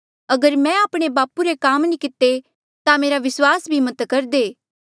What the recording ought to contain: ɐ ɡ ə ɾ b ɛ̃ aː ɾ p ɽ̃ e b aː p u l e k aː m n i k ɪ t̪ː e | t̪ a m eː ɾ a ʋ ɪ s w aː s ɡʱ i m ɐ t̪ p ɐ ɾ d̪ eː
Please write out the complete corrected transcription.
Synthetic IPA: ɐ ɡ ə ɾ m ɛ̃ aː p ɽ̃ e b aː p u ɾ e k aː m n i k ɪ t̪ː e | t̪ a m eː ɾ a ʋ ɪ s w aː s bʱ i m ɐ t̪ k ɐ ɾ d̪ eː